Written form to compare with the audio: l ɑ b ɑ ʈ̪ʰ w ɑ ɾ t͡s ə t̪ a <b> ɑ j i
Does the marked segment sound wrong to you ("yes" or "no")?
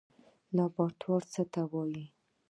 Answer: yes